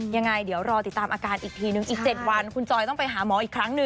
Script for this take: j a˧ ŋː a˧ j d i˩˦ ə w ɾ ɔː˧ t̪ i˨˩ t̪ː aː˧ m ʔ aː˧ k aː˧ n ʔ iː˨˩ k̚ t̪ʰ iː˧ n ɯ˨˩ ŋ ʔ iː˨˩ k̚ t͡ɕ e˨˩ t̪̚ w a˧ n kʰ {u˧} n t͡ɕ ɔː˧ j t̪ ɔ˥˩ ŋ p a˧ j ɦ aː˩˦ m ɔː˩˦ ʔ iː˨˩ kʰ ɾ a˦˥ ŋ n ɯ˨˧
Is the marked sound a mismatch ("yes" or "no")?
no